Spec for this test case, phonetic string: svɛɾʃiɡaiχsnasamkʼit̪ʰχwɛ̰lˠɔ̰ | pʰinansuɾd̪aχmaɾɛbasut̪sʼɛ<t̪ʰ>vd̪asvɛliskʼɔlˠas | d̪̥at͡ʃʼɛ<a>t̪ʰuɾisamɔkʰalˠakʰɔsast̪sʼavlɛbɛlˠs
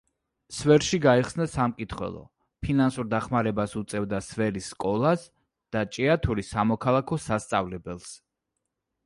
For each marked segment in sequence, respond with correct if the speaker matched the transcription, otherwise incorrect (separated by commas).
incorrect, correct